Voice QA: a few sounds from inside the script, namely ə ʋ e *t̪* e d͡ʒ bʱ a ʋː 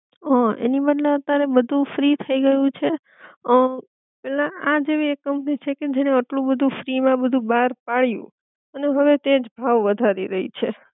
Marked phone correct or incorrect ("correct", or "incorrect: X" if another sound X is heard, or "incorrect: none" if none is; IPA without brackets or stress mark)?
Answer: correct